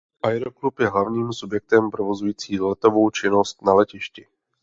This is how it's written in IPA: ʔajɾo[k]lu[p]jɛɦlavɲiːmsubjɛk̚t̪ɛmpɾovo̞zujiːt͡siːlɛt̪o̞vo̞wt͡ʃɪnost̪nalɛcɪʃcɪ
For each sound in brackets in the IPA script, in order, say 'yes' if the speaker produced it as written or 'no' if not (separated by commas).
yes, yes